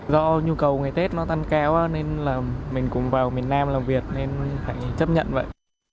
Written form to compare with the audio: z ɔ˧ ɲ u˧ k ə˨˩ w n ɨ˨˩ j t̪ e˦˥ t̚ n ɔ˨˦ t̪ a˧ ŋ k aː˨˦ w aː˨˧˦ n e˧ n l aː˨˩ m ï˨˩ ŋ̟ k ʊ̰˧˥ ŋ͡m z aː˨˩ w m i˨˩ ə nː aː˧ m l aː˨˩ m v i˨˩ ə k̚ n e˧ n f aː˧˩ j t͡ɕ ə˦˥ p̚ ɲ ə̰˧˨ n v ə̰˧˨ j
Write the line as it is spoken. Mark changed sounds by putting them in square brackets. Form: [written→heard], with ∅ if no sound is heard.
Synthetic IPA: z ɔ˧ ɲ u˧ k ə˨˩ w [n→ŋ] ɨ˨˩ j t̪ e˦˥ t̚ n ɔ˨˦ t̪ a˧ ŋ k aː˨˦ w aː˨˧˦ n e˧ n l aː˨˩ m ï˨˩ ŋ̟ k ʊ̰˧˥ ŋ͡m [z→v] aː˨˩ w m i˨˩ ə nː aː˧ m l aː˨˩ m v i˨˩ ə [k̚→t̚] n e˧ n f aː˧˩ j t͡ɕ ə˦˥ p̚ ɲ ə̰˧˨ n v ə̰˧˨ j